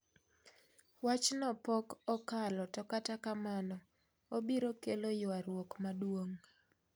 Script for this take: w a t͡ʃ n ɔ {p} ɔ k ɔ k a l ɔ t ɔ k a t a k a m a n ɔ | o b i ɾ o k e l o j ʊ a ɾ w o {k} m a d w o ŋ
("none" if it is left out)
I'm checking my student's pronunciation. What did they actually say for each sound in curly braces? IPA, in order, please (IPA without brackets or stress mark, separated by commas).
p, k